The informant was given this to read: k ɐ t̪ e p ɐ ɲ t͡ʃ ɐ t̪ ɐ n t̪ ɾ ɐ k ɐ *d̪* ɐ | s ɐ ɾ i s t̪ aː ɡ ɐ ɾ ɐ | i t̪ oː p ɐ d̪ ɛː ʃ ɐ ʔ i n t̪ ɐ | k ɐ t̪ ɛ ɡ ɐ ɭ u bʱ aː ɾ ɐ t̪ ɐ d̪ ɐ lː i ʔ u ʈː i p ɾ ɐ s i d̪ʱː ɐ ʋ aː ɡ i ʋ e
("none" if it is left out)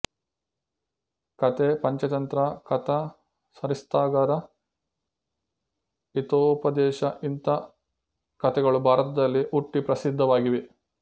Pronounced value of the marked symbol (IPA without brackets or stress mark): t̪